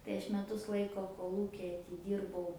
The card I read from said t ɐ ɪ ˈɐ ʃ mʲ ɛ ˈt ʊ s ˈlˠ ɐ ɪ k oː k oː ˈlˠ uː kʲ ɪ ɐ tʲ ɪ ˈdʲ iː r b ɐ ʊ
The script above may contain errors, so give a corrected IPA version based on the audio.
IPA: t ɐ ɪ ˈɐ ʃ mʲ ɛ ˈt ʊ s ˈlˠ ɐ ɪ k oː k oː ˈlˠ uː kʲ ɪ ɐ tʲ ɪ ˈdʲ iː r b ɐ ʊ